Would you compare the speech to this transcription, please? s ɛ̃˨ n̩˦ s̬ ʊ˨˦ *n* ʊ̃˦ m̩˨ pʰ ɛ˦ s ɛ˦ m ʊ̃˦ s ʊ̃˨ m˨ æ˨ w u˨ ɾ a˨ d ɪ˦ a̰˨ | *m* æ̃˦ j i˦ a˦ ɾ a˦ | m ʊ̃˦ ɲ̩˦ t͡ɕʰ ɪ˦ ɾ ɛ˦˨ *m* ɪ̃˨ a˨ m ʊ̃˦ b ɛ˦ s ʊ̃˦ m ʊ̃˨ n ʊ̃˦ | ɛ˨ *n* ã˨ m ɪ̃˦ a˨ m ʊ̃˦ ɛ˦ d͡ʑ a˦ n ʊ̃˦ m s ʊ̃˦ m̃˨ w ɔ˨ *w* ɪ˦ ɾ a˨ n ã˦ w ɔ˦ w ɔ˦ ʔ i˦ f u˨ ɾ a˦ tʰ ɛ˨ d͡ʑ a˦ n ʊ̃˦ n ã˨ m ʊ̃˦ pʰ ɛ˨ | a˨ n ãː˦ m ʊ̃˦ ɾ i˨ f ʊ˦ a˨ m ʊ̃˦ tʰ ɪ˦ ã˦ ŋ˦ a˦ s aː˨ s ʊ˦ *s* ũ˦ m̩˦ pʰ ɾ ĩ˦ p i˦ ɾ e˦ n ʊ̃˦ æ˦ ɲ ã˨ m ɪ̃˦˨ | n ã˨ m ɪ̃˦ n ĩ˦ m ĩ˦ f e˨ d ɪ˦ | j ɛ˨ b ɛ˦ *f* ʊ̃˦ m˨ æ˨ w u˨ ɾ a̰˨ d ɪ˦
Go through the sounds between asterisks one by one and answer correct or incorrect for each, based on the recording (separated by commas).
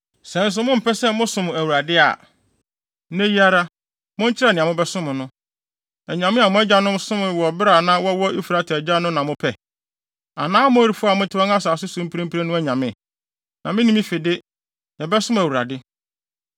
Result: incorrect, incorrect, incorrect, incorrect, incorrect, correct, incorrect